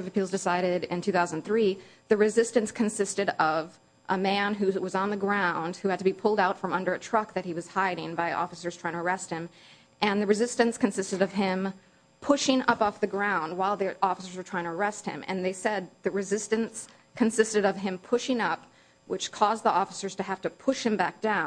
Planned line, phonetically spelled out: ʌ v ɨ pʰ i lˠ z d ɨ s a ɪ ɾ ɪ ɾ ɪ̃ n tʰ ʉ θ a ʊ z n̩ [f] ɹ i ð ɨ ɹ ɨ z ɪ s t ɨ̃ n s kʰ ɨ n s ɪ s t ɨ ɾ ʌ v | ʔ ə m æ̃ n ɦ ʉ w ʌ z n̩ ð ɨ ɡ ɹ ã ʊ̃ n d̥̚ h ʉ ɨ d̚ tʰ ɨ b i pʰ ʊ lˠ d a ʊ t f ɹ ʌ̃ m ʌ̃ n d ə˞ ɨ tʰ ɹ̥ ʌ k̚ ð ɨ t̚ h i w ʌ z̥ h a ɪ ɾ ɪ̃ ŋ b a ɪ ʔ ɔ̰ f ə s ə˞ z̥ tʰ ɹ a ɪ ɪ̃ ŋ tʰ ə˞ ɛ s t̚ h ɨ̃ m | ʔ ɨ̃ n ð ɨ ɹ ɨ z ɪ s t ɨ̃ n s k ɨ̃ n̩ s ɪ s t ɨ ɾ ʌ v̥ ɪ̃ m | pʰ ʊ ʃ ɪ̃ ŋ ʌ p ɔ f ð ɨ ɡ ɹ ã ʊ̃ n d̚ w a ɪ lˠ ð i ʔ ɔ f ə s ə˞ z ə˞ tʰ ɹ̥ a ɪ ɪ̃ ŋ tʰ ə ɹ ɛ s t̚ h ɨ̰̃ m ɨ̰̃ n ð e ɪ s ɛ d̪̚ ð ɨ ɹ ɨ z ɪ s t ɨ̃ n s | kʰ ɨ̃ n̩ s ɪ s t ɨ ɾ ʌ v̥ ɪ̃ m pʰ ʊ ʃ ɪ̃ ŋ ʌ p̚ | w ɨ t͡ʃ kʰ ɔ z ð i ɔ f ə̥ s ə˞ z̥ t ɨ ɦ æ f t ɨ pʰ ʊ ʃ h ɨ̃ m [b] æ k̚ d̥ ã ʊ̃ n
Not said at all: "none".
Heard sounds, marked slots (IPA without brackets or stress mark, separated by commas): θ, b